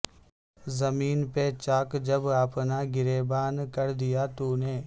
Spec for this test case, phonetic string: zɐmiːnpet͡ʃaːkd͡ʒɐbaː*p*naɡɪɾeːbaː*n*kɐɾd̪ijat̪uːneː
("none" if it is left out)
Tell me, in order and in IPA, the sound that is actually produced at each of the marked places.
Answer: p, n

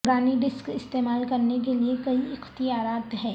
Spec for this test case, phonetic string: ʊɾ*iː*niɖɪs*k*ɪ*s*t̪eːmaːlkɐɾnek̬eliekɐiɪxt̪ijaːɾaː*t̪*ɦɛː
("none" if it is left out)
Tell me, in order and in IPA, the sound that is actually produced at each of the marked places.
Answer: aː, k, s, t̪

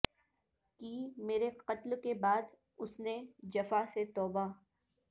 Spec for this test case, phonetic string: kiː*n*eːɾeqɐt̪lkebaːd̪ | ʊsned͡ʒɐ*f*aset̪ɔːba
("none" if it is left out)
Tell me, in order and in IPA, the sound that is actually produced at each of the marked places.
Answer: m, f

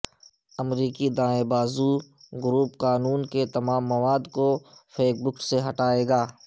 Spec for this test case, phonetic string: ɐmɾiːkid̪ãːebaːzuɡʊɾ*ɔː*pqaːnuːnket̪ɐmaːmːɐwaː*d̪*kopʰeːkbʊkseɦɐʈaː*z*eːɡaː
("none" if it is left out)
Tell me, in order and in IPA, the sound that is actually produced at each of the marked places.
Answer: uː, d̪, none

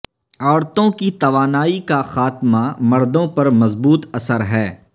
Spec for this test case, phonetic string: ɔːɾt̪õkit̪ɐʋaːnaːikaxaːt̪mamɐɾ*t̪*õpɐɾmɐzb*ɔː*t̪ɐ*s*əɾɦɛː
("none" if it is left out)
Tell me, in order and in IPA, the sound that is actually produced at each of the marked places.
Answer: d̪, uː, s

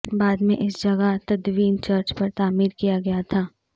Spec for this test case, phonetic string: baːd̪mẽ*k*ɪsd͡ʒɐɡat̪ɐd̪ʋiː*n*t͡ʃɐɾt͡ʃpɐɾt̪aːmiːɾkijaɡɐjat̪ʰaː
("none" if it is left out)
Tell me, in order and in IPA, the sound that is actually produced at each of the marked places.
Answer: ʔ, n

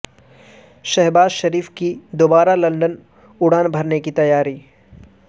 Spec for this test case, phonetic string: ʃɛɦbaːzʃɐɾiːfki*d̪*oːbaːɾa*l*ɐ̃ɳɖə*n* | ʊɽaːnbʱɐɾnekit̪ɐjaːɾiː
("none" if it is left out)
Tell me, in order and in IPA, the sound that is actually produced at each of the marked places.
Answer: d̪, l, n

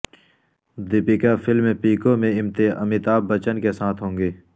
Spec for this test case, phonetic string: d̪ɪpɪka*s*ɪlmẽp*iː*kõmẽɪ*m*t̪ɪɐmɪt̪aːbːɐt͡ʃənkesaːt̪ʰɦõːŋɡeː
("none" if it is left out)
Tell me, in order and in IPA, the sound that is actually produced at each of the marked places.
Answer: f, iː, m

